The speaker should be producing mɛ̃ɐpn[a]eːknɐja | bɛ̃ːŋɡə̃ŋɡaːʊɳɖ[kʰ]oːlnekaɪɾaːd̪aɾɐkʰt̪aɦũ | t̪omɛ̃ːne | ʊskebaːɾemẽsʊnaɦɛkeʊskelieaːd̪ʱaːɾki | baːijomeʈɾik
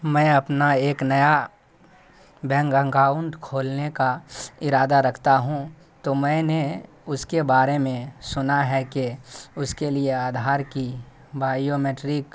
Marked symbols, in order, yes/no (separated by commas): yes, yes